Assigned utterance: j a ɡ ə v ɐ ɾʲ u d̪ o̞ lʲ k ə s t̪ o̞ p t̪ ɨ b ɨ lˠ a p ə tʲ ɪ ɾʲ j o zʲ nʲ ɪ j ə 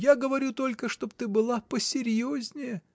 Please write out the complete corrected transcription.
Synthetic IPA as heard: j a ɡ ə v ɐ ɾʲ u t̪ o̞ lʲ k ə ʂ t̪ o̞ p t̪ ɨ b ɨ lˠ a p ə sʲ ɪ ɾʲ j o zʲ nʲ ɪ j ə